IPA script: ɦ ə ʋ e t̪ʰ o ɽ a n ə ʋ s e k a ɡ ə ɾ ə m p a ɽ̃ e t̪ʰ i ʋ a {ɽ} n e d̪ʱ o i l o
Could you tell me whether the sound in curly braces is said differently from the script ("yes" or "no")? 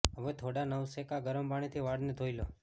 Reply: no